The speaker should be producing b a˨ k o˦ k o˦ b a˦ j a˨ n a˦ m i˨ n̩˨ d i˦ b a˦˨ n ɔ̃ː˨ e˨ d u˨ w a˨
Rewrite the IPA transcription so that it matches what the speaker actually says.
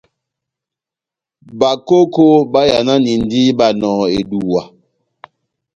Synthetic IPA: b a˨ k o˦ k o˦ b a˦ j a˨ n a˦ n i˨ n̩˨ d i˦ b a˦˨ n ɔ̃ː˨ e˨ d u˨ w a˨

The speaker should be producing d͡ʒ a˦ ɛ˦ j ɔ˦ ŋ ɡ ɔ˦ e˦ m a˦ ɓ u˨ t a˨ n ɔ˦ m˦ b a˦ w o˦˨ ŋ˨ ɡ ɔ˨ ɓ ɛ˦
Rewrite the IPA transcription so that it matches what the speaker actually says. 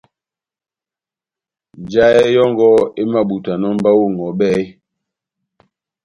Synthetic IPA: d͡ʒ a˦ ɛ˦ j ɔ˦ ŋ ɡ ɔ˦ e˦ m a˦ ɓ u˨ t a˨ n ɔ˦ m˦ b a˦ w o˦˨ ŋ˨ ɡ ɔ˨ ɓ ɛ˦

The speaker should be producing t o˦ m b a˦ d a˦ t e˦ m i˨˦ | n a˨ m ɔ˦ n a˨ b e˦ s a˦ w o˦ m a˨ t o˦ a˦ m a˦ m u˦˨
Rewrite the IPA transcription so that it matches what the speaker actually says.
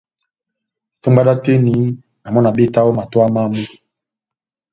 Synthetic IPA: t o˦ m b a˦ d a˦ t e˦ n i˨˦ | n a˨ m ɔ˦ n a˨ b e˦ t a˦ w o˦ m a˨ t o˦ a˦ m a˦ m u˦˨

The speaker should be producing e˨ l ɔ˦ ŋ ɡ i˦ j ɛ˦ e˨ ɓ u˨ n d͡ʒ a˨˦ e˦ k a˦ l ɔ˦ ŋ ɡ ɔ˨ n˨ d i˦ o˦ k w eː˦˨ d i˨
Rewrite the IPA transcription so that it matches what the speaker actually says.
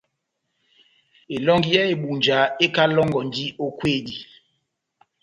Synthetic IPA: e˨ l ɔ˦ ŋ ɡ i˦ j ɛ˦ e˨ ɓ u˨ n d͡ʒ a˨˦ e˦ k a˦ l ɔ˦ ŋ ɡ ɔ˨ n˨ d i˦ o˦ k w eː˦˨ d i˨

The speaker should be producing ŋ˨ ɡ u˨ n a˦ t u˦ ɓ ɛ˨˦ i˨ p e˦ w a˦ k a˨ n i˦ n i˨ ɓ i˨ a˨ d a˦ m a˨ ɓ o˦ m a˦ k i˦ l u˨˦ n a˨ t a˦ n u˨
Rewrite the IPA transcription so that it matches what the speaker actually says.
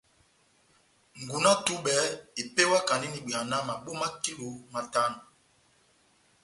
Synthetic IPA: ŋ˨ ɡ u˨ n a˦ t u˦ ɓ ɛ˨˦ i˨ p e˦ w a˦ k a˨ n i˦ n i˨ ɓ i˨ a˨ n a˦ m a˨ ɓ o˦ m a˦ k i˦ l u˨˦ m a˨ t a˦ n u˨

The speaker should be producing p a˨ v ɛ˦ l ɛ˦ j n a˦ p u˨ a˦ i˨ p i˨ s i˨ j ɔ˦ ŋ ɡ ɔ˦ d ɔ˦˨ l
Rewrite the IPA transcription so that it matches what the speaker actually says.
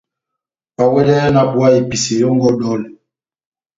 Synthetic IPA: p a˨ w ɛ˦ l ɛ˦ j n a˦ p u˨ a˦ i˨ p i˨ s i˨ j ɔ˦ ŋ ɡ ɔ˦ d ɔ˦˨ l

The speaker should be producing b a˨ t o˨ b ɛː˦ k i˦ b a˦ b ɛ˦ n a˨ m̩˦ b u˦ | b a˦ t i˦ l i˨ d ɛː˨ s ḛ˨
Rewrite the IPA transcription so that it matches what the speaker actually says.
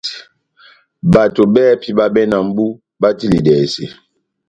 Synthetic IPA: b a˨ t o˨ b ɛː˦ p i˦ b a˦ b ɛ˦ n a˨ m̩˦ b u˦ | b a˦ t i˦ l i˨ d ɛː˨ s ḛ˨

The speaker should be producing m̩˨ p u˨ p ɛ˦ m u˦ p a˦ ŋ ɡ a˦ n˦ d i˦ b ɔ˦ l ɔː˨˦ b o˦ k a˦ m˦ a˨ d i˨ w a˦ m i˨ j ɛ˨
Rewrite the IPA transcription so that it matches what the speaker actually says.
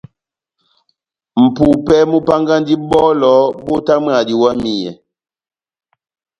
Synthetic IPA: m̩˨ p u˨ p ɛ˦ m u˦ p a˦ ŋ ɡ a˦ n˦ d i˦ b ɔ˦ l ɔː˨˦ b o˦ t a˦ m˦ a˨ d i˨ w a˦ m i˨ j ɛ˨

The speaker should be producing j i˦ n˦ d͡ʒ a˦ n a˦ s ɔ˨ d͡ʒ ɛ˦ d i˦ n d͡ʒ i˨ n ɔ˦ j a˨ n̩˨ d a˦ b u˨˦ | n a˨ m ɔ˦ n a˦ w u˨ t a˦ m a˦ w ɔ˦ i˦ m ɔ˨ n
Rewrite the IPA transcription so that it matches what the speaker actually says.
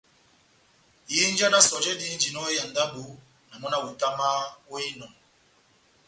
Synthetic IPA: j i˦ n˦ d͡ʒ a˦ n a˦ s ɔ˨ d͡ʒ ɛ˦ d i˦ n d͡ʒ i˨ n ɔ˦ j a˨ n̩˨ d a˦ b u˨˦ | n a˨ m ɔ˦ n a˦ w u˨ t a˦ m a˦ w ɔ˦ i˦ n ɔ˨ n

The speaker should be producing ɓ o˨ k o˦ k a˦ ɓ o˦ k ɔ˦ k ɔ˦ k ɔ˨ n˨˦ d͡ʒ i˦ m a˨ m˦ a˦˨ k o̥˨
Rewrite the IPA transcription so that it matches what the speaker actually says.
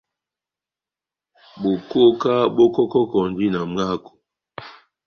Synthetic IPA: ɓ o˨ k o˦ k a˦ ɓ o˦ k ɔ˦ k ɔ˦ k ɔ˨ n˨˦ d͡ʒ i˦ n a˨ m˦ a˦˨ k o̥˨

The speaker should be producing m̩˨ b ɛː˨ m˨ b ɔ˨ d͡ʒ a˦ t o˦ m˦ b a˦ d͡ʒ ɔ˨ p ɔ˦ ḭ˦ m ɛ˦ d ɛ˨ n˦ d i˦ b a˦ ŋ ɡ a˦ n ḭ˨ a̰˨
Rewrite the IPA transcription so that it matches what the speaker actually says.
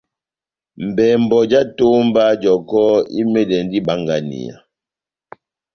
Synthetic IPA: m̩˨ b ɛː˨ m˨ b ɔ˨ d͡ʒ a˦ t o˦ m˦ b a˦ d͡ʒ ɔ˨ k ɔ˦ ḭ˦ m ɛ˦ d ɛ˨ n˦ d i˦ b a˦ ŋ ɡ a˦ n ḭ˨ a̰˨

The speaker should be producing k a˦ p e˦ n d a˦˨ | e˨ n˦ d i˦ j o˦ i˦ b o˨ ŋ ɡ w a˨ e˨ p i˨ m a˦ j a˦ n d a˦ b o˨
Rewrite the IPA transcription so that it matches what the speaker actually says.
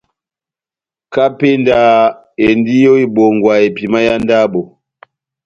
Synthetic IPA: k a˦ p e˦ n d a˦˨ | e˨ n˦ d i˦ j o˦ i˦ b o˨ ŋ ɡ w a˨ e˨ p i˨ m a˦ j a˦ n d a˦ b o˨

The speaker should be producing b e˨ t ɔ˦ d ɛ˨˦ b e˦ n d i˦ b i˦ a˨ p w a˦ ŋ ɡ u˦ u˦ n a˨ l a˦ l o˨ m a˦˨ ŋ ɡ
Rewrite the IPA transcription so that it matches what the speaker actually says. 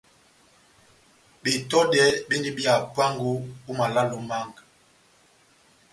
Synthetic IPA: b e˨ t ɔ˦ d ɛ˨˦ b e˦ n d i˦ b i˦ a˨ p w a˦ ŋ ɡ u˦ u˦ m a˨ l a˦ l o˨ m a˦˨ ŋ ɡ

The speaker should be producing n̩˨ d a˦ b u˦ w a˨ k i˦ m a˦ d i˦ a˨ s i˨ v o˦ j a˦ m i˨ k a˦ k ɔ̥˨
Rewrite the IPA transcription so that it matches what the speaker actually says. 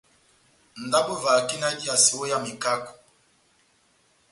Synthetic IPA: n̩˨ d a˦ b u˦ v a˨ k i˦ n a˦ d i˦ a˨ s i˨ w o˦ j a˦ m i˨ k a˦ k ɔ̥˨

